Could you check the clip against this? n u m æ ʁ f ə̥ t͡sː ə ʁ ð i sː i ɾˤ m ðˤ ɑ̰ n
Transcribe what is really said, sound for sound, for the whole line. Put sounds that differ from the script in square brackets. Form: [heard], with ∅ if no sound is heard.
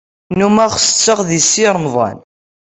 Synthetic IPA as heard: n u m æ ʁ [s] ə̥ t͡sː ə ʁ ð i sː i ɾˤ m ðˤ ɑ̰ n